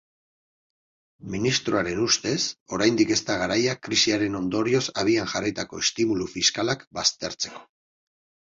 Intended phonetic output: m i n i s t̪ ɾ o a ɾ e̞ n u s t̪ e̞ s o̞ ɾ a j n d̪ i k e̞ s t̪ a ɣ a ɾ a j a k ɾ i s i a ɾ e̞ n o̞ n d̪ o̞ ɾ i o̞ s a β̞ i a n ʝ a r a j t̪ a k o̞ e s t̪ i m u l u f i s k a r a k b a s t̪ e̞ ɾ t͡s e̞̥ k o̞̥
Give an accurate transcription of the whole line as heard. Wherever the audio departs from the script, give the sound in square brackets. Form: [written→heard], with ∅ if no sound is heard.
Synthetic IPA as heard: m i n i s t̪ ɾ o a ɾ e̞ n u s t̪ e̞ s o̞ ɾ a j n d̪ i k e̞ s t̪ a ɣ a ɾ a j a k ɾ i s i a ɾ e̞ n o̞ n d̪ o̞ ɾ i o̞ s a β̞ i a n ʝ a r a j t̪ a k o̞ e s t̪ i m u l u f i s k a [r→l] a k b a s t̪ e̞ ɾ t͡s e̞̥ k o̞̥